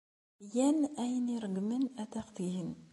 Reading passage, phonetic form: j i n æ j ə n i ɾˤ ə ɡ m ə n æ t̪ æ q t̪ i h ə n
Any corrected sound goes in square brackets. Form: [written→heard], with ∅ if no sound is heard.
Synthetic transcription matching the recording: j [i→æ] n æ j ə n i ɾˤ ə ɡ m ə n æ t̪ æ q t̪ i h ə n